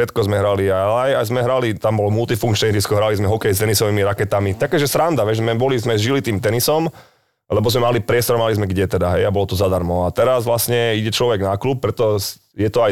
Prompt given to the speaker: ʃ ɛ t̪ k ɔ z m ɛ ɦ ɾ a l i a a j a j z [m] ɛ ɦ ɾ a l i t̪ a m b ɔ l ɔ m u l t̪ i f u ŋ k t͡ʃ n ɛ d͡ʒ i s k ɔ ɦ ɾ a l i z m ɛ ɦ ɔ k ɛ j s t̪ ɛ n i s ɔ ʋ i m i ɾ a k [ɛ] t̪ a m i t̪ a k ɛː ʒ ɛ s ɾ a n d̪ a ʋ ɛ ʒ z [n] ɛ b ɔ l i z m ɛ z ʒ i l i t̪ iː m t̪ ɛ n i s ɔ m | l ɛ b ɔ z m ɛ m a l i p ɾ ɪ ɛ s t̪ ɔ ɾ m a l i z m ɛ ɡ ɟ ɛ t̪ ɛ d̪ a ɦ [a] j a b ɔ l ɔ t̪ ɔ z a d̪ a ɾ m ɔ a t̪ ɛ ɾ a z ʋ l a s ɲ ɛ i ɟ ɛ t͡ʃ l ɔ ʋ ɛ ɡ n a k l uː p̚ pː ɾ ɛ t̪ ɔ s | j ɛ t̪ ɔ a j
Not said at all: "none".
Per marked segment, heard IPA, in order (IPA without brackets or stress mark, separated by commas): m, ɛ, m, ɛ